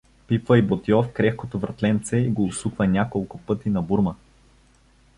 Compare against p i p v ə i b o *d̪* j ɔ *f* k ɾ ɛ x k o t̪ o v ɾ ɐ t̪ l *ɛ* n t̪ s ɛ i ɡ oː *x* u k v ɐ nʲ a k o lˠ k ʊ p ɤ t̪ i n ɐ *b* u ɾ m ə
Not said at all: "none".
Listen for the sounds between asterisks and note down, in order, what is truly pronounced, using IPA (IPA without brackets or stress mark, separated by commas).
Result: t̪, f, ɛ, s, b